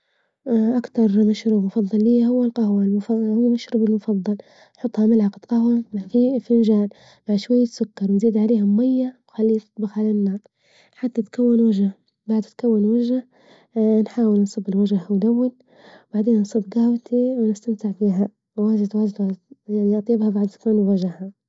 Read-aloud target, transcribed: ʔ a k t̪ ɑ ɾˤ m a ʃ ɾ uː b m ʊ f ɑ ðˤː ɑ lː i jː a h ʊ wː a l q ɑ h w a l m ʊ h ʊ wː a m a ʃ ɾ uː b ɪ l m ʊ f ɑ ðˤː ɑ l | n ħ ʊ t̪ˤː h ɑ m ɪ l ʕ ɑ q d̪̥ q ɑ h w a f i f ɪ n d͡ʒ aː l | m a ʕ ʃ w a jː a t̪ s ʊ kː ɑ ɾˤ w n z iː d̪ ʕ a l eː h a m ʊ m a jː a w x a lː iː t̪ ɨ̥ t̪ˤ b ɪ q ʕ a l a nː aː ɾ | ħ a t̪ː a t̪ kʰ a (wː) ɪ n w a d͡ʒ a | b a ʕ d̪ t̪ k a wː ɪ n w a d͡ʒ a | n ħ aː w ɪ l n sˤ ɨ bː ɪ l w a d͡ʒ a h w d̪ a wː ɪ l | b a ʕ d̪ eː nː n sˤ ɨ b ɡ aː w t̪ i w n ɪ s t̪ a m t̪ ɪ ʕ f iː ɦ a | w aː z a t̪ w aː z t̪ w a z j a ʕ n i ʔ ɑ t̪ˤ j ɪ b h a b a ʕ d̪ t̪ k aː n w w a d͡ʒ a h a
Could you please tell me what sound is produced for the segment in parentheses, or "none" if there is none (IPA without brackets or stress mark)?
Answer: wː